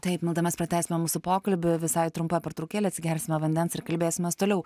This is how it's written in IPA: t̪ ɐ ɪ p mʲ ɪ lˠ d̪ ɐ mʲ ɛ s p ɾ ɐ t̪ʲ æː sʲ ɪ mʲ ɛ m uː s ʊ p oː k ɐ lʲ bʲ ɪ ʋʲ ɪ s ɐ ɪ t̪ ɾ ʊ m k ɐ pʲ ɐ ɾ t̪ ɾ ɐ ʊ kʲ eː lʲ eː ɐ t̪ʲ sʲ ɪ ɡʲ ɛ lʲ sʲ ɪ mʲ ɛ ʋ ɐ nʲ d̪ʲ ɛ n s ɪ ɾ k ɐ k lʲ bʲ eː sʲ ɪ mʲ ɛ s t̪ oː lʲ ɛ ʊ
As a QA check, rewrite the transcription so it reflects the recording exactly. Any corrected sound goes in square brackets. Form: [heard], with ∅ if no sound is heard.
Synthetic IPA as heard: t̪ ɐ ɪ p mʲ ɪ lˠ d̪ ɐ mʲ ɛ s p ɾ ɐ t̪ʲ æː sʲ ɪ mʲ ɛ m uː s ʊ p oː k ɐ lʲ bʲ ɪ ʋʲ ɪ s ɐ ɪ t̪ ɾ ʊ m [p] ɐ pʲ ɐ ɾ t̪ ɾ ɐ ʊ kʲ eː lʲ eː ɐ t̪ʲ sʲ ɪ ɡʲ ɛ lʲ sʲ ɪ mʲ ɛ ʋ ɐ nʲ d̪ʲ ɛ n s ɪ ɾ k ɐ [∅] lʲ bʲ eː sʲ ɪ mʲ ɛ s t̪ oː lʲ ɛ ʊ